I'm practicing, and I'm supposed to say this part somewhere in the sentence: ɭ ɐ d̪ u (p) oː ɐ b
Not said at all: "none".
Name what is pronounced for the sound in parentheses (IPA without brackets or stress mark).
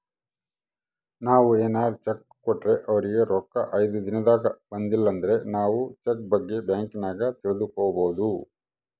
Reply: k